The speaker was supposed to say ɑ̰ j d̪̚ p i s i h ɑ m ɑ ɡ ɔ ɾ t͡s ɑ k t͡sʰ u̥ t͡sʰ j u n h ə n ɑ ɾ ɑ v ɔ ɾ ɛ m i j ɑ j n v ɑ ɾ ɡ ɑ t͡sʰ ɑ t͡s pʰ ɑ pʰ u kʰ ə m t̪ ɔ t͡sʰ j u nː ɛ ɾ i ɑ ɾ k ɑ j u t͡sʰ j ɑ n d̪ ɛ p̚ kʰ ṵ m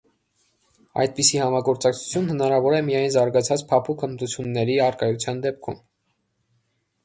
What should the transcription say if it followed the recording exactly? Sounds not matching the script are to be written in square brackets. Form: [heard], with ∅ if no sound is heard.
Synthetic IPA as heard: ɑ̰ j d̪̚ p i s i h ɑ m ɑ ɡ ɔ ɾ t͡s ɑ k t͡sʰ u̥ t͡sʰ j u n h ə n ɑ ɾ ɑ v ɔ ɾ ɛ m i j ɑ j n [z] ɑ ɾ ɡ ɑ t͡sʰ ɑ t͡s pʰ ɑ pʰ u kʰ ə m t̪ [u] t͡sʰ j u nː ɛ ɾ i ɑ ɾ k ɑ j u t͡sʰ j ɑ n d̪ ɛ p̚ kʰ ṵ m